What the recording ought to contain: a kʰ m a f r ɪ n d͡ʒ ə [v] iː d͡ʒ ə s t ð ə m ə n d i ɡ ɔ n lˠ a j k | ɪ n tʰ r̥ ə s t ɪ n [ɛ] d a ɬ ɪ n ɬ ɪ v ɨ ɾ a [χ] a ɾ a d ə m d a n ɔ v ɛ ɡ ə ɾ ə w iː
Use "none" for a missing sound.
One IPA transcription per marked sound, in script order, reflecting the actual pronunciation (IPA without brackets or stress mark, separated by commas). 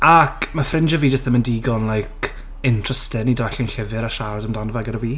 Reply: v, i, ʃ